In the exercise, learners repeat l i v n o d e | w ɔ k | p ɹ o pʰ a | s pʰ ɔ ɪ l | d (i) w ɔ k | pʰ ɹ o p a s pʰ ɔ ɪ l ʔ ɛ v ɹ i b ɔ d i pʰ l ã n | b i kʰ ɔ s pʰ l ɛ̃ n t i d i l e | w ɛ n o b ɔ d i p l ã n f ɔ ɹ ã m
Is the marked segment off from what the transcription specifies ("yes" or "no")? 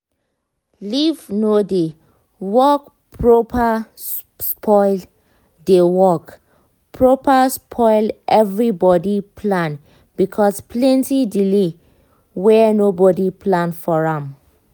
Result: yes